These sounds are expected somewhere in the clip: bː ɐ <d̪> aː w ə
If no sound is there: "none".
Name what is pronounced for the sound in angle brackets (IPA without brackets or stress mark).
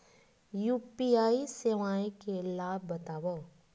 t̪